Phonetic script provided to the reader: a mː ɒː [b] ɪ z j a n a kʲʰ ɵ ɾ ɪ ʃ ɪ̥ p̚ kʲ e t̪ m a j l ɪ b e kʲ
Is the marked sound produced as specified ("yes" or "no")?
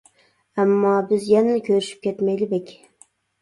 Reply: yes